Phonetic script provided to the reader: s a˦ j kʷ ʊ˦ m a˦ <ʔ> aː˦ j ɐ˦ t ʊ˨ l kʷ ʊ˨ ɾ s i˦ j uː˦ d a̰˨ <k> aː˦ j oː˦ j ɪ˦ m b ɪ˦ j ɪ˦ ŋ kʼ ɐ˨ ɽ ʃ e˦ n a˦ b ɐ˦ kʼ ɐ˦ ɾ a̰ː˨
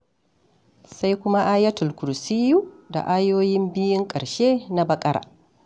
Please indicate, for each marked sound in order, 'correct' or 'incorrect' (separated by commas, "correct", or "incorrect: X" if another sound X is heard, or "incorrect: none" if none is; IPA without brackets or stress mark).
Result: correct, incorrect: ʔ